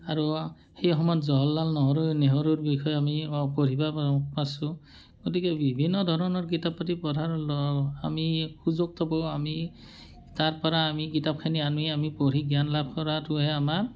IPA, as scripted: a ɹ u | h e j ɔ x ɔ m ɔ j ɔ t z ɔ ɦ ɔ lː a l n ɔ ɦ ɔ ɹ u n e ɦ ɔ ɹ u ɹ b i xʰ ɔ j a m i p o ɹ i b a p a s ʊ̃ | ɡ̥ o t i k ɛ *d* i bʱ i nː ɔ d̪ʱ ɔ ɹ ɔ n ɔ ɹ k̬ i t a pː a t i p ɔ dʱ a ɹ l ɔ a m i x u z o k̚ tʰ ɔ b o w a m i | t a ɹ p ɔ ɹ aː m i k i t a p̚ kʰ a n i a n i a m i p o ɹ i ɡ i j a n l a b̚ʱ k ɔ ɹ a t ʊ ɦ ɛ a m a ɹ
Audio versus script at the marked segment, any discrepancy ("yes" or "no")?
yes